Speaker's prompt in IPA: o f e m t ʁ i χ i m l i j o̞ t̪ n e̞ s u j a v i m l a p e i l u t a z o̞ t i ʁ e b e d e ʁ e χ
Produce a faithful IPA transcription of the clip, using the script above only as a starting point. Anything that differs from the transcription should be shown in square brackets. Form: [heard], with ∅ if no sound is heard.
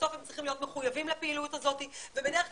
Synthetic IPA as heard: o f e m [t͡s] ʁ i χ i m l i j o̞ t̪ [m] e̞ [χ] u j a v i m l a p e i l u t a z o̞ t i [v] e b e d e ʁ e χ